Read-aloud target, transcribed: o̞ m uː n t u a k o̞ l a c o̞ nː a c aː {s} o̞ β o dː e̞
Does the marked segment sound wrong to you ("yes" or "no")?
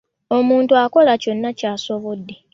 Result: no